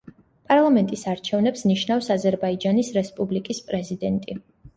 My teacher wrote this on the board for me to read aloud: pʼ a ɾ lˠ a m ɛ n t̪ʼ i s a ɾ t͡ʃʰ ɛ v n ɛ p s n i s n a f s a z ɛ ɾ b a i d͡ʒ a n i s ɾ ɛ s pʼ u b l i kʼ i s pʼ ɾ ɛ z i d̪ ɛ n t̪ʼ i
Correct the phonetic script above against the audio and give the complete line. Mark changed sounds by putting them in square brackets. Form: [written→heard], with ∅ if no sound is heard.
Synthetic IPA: pʼ a ɾ lˠ a m ɛ n t̪ʼ i s a ɾ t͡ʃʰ ɛ v n ɛ p s n i [s→ʃ] n a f s a z ɛ ɾ b a i d͡ʒ a n i s ɾ ɛ s pʼ u b l i kʼ i s pʼ ɾ ɛ z i d̪ ɛ n t̪ʼ i